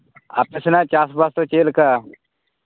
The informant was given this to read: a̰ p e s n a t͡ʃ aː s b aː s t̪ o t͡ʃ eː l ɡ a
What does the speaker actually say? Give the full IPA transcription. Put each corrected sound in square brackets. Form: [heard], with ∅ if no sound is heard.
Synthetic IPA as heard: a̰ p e s n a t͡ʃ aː s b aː s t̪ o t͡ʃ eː l [k] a